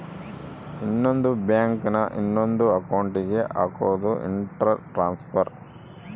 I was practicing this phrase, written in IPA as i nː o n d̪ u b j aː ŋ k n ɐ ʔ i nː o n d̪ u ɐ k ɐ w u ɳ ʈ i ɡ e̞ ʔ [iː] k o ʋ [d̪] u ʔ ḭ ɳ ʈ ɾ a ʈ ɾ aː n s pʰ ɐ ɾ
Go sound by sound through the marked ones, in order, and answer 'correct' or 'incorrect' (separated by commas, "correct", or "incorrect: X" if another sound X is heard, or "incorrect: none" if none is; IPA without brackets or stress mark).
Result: incorrect: aː, correct